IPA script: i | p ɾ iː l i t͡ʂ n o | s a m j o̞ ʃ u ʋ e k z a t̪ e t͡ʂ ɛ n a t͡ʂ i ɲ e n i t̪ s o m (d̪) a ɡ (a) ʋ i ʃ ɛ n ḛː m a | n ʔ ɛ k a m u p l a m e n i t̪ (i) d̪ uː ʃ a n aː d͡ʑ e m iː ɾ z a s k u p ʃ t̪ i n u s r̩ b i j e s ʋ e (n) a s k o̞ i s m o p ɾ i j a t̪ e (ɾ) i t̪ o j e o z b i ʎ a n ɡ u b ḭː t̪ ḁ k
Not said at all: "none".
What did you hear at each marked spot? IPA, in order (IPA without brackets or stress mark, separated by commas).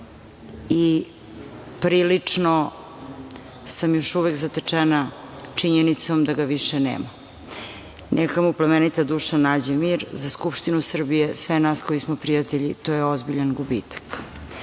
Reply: d̪, a, a, n, ʎ